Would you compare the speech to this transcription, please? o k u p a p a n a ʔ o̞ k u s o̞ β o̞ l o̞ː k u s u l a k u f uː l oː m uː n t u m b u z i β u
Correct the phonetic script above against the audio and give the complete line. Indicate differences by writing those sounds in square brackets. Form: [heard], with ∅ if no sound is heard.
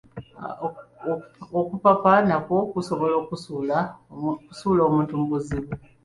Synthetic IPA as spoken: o k u p a p a n a [k] o̞ k u s o̞ β o̞ l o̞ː k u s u l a k u [s] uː l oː m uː n t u m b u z i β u